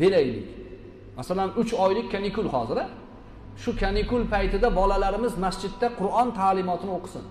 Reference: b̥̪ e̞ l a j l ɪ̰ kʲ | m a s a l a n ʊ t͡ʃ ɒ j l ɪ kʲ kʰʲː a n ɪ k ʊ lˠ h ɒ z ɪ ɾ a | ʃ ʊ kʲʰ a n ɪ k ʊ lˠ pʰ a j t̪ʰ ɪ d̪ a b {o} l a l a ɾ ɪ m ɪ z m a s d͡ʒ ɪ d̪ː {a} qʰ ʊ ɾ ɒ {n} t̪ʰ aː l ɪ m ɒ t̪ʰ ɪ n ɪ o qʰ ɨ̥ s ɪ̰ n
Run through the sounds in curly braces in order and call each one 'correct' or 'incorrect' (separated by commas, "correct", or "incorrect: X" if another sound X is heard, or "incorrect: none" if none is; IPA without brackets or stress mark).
incorrect: ɒ, correct, correct